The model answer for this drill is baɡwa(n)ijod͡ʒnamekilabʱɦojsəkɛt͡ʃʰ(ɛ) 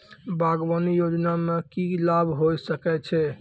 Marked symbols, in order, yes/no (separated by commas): yes, yes